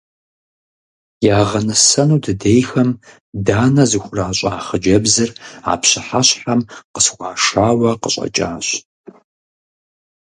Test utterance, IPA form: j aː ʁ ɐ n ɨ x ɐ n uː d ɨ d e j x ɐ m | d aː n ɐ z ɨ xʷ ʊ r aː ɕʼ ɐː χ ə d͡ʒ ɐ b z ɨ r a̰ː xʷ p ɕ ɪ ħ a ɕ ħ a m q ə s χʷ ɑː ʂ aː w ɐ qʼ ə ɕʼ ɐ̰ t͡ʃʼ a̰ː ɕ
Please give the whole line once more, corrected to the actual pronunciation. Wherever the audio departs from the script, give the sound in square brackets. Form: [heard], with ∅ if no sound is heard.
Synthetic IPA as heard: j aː ʁ ɐ n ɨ [s] ɐ n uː d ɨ d e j x ɐ m | d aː n ɐ z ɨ xʷ ʊ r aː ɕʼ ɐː χ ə d͡ʒ ɐ b z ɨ r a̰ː [∅] p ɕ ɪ ħ a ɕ ħ a m q ə s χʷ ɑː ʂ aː w ɐ [q] ə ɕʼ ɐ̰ t͡ʃʼ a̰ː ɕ